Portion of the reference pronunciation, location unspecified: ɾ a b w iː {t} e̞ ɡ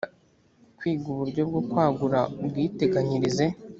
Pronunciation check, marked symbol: correct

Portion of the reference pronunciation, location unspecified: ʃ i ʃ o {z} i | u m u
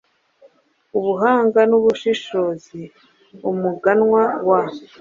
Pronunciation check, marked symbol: correct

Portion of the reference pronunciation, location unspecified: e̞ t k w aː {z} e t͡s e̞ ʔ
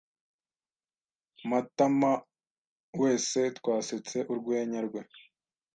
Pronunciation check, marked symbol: incorrect: s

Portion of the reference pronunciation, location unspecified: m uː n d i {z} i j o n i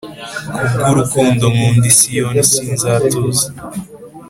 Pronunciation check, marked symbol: incorrect: s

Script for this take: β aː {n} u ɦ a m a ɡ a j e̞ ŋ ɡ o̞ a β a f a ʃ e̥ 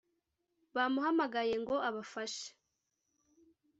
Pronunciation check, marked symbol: incorrect: m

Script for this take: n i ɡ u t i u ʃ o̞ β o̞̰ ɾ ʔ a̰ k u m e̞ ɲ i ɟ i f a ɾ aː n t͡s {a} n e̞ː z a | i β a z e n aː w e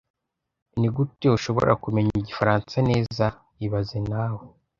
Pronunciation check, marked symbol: correct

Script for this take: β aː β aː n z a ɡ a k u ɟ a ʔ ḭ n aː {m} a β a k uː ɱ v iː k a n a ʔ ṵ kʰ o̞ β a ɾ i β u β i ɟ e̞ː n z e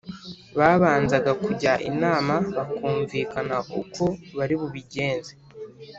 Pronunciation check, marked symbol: correct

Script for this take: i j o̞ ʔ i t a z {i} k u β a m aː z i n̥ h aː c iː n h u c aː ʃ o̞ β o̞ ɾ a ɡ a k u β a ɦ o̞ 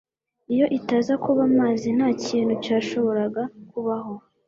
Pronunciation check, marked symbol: incorrect: a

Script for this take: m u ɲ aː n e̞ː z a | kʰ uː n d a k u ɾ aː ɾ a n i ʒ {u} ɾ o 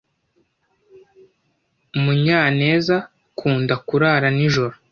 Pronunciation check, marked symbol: incorrect: o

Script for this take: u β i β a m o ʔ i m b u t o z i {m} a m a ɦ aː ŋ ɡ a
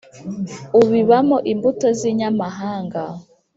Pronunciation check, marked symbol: incorrect: ɲ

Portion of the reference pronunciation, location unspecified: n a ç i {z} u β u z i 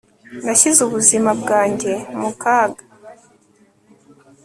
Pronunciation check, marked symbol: correct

